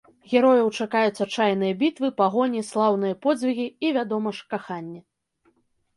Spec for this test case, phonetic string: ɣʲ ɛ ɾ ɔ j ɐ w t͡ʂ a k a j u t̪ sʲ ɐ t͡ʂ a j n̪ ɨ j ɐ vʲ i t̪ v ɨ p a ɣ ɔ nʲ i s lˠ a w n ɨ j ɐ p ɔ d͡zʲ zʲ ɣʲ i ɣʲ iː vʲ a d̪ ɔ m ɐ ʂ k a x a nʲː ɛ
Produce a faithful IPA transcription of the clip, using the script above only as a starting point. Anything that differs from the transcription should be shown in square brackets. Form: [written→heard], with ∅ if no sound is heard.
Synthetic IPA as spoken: ɣʲ ɛ ɾ ɔ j ɐ w t͡ʂ a k a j u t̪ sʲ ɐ t͡ʂ a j n̪ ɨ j ɐ [vʲ→bʲ] i t̪ v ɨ p a ɣ ɔ nʲ i s lˠ a w n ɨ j ɐ p ɔ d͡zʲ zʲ [ɣʲ→vʲ] i ɣʲ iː vʲ a d̪ ɔ m ɐ ʂ k a x a nʲː ɛ